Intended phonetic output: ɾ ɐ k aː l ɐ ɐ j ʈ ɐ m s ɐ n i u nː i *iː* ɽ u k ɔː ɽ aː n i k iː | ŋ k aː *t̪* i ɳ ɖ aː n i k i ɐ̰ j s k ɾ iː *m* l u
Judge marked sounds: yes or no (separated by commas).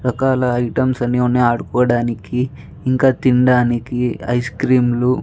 no, yes, yes